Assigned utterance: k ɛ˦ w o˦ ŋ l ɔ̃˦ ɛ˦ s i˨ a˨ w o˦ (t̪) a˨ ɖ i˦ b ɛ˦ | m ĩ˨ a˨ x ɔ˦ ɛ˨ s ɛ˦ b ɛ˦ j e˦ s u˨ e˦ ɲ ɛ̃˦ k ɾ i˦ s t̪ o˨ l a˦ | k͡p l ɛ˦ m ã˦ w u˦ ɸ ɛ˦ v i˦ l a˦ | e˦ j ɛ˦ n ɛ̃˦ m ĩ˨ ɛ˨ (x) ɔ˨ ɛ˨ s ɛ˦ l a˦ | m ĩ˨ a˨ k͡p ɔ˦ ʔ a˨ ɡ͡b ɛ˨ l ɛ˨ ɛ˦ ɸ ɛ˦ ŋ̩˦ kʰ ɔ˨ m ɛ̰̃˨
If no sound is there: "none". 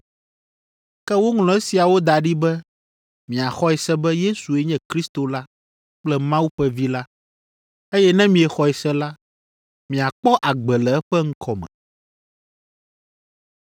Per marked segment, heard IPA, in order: d̪, x

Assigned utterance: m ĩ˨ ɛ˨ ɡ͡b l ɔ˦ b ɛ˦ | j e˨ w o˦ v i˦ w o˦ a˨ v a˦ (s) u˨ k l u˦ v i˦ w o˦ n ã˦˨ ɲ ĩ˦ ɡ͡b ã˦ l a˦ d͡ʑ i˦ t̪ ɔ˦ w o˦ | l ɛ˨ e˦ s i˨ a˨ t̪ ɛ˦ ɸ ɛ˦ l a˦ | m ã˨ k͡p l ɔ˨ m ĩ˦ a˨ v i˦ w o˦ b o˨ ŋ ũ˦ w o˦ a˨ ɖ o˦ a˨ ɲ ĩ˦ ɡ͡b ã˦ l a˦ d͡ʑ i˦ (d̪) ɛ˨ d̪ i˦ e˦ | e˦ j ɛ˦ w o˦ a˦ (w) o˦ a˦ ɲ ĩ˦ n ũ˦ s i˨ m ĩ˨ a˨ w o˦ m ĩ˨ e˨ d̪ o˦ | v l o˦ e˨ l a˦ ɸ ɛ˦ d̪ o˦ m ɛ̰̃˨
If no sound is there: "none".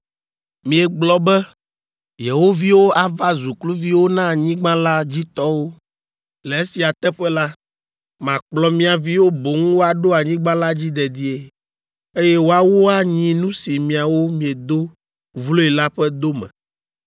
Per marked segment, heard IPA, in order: z, d̪, w

